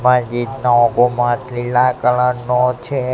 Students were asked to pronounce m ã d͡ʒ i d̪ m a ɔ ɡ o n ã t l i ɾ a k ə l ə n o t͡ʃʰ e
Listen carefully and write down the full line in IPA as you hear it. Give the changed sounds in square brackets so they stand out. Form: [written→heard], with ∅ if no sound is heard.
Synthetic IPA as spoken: m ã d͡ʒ i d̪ [m→n] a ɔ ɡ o [n→m] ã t l i [ɾ→l] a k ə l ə n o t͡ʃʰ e